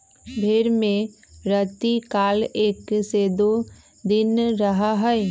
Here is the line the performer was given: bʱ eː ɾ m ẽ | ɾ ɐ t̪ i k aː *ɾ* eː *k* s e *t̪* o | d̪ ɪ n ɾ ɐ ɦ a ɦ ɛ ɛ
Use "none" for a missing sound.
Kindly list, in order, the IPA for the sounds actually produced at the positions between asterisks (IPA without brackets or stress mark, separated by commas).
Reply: l, k, d̪